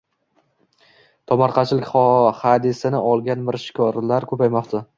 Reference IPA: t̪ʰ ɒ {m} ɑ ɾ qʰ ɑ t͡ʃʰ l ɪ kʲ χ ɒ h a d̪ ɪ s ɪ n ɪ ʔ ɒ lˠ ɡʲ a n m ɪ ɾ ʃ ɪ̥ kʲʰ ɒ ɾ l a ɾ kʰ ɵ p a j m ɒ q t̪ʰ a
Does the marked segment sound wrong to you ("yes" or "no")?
no